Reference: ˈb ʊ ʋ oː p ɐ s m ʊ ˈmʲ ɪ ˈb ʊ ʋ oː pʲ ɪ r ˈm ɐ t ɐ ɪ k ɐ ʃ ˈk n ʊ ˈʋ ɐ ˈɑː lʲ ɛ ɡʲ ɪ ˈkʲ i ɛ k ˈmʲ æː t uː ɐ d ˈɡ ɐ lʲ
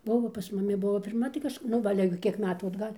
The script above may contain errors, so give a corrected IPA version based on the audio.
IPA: ˈb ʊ ʋ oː p ɐ s m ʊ ˈmʲ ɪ ˈb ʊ ʋ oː pʲ ɪ r ˈm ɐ t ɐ ɪ k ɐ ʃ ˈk n ʊ ˈʋ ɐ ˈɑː lʲ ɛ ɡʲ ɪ ˈkʲ i ɛ k ˈmʲ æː t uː ɐ d ˈɡ ɐ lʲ

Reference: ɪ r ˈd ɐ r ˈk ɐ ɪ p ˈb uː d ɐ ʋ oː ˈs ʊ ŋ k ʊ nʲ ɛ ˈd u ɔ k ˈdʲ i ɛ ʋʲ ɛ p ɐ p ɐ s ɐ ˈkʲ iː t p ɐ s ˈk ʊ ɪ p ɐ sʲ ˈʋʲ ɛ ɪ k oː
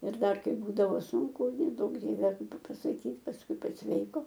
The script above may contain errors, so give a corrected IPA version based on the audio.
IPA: ɪ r ˈd ɐ r ˈk ɐ ɪ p ˈb uː d ɐ ʋ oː ˈs ʊ ŋ k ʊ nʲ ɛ ˈd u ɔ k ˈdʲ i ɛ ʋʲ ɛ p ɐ p ɐ s ɐ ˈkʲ iː t p ɐ s ˈk ʊ ɪ p ɐ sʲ ˈʋʲ ɛ ɪ k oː

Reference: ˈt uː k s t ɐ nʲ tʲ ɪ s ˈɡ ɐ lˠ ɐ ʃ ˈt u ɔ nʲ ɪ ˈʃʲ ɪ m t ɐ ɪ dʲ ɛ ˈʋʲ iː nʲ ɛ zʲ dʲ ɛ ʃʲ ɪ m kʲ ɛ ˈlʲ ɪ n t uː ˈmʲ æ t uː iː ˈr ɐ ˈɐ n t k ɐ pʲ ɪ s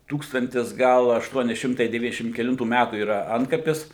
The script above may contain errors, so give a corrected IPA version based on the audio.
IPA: ˈt uː k s t ɐ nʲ tʲ ɪ s ˈɡ ɐ lˠ ɐ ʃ ˈt u ɔ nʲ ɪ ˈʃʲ ɪ m t ɐ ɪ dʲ ɛ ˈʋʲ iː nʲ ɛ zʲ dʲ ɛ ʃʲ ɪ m kʲ ɛ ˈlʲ ɪ n t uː ˈmʲ æ t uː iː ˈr ɐ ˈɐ n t k ɐ pʲ ɪ s

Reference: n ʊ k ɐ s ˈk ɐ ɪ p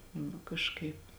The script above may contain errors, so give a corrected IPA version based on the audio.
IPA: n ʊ k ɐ ʃ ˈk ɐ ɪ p

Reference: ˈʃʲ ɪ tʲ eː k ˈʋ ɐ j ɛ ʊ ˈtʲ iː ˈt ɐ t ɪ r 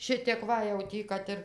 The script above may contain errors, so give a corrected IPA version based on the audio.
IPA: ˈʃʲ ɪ tʲ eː k ˈʋ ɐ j ɛ ʊ ˈtʲ iː ˈk ɐ t ɪ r

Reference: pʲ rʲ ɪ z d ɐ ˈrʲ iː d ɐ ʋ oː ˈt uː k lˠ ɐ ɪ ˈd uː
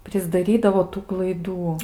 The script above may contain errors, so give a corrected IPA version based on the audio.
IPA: pʲ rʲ ɪ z d ɐ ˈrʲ iː d ɐ ʋ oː ˈt uː k lˠ ɐ ɪ ˈd uː

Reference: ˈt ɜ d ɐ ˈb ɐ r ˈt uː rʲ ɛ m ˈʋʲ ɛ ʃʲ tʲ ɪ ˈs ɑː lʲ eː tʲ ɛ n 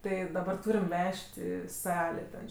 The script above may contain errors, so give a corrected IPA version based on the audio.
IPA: ˈt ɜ d ɐ ˈb ɐ r ˈt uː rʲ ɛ m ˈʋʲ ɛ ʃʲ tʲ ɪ ˈs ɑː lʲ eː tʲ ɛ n

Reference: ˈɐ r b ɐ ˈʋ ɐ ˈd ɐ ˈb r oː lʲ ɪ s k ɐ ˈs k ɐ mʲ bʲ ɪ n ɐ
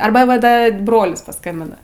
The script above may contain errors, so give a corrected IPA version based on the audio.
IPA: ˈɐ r b ɐ ˈʋ ɐ ˈd ɐ ˈb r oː lʲ ɪ s p ɐ ˈs k ɐ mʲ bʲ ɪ n ɐ

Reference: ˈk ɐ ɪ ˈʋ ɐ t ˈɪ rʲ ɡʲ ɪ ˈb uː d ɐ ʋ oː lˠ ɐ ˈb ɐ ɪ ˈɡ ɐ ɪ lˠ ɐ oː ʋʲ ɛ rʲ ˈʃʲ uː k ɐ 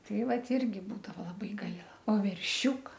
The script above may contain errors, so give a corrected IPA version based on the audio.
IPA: ˈt ɐ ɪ ˈʋ ɐ t ˈɪ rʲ ɡʲ ɪ ˈb uː d ɐ ʋ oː lˠ ɐ ˈb ɐ ɪ ˈɡ ɐ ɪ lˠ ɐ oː ʋʲ ɛ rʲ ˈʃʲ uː k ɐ

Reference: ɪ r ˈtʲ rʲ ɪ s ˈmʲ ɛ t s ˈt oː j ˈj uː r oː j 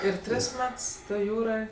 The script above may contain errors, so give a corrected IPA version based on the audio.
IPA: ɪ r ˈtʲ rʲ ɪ s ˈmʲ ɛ t s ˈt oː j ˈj uː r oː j

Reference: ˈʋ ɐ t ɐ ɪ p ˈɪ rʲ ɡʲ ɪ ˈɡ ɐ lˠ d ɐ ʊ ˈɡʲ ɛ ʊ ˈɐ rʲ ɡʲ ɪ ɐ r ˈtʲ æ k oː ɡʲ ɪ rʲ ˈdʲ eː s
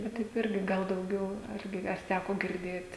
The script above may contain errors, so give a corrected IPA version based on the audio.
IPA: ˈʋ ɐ t ɐ ɪ p ˈɪ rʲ ɡʲ ɪ ˈɡ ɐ lˠ d ɐ ʊ ˈɡʲ ɛ ʊ ˈɐ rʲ ɡʲ ɪ ɐ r ˈtʲ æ k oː ɡʲ ɪ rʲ ˈdʲ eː t

